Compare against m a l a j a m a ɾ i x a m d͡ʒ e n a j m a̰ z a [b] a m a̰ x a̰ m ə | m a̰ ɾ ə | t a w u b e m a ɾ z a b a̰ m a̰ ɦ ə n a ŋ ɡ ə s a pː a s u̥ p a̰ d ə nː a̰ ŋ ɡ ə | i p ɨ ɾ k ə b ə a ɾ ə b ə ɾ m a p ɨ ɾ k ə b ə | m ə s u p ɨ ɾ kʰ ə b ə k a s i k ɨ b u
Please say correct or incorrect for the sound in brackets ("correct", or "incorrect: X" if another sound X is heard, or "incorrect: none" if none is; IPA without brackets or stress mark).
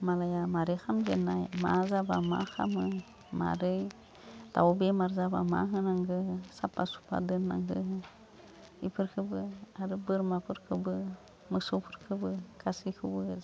correct